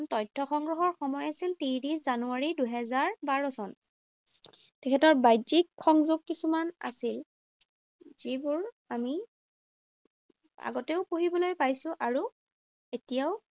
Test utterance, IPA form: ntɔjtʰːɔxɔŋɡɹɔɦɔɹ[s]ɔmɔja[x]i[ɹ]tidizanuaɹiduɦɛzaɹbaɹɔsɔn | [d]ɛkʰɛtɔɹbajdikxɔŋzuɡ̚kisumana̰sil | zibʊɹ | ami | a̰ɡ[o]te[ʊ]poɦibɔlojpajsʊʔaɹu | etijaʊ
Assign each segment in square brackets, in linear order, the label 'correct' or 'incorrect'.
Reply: incorrect, incorrect, incorrect, incorrect, incorrect, correct

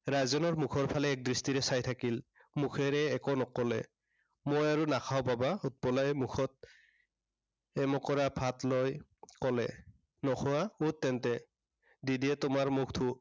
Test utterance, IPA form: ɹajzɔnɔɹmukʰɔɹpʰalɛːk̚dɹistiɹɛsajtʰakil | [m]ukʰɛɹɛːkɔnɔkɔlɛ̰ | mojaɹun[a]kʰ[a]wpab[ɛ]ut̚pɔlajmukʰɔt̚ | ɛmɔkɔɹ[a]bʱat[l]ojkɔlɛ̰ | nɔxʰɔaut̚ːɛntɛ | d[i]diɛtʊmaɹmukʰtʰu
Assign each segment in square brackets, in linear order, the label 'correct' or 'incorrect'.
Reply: correct, correct, correct, incorrect, correct, correct, correct

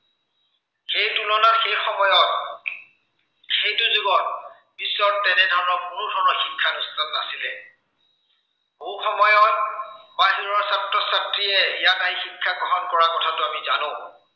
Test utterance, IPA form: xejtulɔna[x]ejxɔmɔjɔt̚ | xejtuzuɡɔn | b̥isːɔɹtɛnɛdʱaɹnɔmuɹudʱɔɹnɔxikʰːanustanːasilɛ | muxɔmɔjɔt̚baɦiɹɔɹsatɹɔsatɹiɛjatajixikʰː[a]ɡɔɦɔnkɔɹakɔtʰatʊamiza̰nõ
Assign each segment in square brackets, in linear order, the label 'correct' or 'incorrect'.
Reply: correct, correct

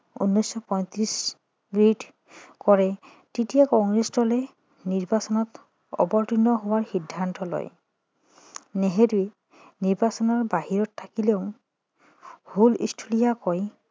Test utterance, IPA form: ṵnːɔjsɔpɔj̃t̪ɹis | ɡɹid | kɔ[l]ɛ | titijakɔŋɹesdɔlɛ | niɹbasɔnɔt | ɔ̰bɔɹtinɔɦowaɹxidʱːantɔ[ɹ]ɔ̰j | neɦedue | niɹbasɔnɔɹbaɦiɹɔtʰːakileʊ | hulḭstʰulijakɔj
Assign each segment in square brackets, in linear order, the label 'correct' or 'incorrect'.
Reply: incorrect, incorrect

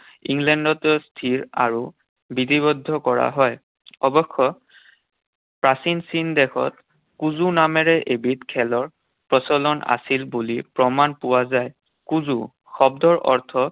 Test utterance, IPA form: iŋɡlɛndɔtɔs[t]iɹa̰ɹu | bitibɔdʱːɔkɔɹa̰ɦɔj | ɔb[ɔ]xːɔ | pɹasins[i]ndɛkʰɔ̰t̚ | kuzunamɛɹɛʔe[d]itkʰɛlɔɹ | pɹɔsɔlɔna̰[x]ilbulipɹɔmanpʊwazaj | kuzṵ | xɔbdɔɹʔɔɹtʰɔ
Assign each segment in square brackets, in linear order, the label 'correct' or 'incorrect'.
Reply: incorrect, correct, correct, incorrect, incorrect

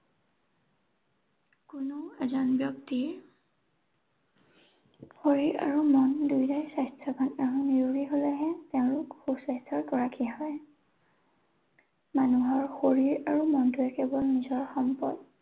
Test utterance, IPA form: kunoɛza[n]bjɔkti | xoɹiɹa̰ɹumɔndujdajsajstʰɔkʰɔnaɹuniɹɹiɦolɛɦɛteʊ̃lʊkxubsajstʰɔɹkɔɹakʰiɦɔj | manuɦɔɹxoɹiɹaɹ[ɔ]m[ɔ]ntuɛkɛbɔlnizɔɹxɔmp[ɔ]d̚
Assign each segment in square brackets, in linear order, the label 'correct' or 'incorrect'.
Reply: correct, incorrect, correct, correct

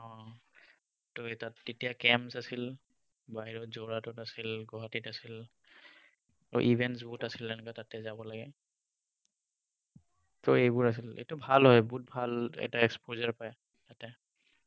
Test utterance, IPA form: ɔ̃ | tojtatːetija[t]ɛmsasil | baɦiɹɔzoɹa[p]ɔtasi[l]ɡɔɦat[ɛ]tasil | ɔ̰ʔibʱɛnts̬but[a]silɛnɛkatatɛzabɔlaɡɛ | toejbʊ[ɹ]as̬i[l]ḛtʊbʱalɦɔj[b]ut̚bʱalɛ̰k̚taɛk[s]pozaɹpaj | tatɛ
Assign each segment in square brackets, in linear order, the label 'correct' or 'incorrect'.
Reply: incorrect, incorrect, correct, incorrect, correct, correct, correct, correct, correct

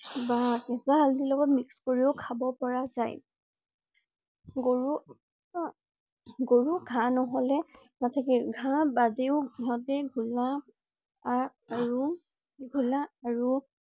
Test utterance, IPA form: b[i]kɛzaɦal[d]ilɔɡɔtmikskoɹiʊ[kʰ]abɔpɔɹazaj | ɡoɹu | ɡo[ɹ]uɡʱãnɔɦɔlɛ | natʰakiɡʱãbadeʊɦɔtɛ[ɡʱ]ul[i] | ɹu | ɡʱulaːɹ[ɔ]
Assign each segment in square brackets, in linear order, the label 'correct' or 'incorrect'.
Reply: incorrect, correct, correct, correct, correct, incorrect, incorrect

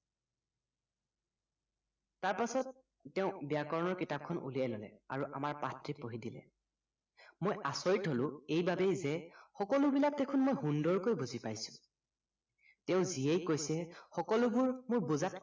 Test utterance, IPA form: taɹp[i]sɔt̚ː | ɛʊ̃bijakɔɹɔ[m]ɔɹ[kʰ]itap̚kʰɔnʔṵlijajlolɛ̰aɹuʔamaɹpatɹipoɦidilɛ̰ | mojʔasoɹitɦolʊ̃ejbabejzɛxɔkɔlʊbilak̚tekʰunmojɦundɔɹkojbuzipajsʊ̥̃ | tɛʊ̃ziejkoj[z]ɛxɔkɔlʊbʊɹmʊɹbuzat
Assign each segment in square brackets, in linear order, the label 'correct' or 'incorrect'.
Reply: incorrect, incorrect, incorrect, incorrect

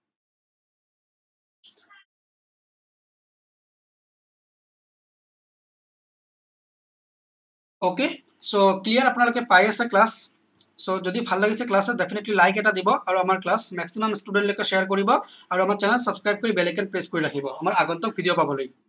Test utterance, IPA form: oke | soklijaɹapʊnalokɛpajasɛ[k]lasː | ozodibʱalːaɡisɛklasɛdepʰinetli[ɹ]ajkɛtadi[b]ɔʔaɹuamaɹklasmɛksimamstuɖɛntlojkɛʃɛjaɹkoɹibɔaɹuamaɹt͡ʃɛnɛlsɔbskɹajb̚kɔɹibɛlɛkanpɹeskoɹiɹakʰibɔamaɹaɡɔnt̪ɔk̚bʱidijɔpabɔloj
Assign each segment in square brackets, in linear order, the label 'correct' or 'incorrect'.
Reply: correct, incorrect, correct

